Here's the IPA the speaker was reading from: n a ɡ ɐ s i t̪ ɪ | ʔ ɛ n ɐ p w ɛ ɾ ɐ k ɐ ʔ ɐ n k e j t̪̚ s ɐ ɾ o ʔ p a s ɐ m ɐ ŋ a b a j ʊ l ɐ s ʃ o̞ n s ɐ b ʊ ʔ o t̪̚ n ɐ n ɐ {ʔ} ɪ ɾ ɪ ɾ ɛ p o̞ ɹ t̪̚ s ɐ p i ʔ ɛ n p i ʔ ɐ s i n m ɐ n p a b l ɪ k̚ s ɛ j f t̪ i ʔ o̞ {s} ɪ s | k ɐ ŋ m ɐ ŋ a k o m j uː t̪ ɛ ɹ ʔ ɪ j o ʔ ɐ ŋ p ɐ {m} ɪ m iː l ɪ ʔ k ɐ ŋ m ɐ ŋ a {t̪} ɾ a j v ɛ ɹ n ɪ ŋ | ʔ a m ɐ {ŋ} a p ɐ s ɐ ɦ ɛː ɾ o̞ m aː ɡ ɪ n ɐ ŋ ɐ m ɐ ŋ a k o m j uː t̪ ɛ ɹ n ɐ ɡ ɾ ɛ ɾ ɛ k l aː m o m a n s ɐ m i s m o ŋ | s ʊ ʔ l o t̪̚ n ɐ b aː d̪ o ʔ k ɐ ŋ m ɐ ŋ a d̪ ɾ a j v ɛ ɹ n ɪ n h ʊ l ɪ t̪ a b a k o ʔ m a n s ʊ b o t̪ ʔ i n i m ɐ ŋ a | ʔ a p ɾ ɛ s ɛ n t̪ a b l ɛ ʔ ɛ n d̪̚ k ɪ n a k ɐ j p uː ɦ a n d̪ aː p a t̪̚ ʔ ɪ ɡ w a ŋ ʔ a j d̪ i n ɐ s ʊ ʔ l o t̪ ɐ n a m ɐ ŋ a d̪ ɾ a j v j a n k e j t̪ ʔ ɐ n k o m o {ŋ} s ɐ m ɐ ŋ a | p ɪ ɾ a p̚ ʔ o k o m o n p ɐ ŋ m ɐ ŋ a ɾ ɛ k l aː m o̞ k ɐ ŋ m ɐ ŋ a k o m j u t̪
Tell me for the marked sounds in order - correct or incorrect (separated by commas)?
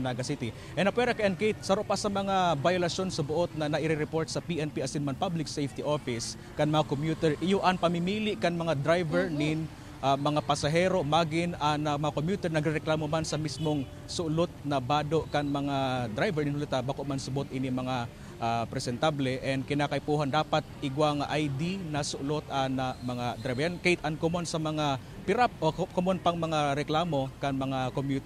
correct, incorrect, correct, incorrect, correct, incorrect